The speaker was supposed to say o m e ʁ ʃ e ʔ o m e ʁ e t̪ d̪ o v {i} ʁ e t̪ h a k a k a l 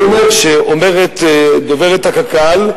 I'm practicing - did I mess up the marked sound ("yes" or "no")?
yes